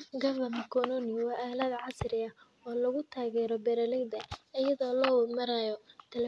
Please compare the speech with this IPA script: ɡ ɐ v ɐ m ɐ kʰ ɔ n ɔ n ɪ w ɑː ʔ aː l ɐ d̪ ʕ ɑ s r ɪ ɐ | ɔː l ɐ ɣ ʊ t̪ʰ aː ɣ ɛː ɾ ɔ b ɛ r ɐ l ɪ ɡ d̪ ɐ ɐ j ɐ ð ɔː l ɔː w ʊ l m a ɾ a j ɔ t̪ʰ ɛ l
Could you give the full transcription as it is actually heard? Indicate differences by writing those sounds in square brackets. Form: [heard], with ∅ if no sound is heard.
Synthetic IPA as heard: ɡ ɐ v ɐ m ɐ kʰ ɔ n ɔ n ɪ w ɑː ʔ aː l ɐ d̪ ʕ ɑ s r ɪ ɐ | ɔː l ɐ ɣ ʊ t̪ʰ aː ɣ ɛː ɾ ɔ b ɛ [ɾ] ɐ l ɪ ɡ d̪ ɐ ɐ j ɐ ð ɔː l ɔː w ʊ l m [ɐ] ɾ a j ɔ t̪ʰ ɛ l

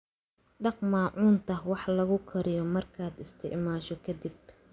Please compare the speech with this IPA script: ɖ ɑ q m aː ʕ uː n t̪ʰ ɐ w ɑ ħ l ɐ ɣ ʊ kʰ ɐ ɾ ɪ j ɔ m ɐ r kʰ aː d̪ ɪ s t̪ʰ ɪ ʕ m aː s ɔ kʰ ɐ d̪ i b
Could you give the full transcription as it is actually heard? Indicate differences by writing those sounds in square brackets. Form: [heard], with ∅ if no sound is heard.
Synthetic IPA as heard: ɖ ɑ q m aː ʕ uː n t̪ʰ ɐ w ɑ ħ l ɐ ɣ ʊ kʰ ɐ ɾ ɪ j ɔ m ɐ r kʰ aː d̪ ɪ s t̪ʰ ɪ ʕ m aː [ʃ] ɔ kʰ ɐ d̪ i b

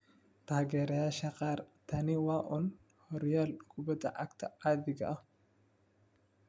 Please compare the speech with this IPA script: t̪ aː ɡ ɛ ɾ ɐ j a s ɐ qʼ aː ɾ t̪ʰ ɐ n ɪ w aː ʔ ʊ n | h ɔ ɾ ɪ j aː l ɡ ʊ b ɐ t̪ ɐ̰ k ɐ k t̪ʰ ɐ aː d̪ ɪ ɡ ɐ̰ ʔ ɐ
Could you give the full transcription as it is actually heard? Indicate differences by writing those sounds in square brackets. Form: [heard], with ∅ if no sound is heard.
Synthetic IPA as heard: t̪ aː ɡ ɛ ɾ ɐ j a [ʃ] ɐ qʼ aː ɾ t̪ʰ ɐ n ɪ w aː ʔ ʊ n | h ɔ ɾ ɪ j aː l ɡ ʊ b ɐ t̪ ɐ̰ [ʔ] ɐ k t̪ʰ ɐ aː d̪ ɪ ɡ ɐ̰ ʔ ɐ

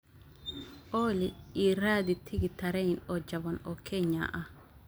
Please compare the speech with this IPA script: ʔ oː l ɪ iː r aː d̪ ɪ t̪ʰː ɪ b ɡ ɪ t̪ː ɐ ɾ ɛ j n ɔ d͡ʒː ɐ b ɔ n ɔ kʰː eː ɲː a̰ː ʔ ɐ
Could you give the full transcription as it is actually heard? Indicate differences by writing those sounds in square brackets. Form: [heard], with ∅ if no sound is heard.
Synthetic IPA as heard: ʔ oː l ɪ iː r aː d̪ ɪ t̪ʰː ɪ [∅] ɡ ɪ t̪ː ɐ ɾ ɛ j n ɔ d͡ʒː ɐ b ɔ n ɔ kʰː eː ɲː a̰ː ʔ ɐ

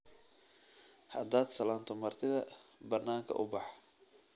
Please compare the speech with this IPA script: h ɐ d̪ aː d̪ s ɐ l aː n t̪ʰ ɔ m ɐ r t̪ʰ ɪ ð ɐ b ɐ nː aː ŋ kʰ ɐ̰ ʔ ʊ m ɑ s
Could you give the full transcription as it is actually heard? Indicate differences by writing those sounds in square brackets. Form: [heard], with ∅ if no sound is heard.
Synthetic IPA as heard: h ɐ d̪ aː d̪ s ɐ l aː n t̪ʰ ɔ m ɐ r t̪ʰ ɪ ð ɐ b ɐ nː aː ŋ kʰ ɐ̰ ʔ ʊ [b] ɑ [ħ]

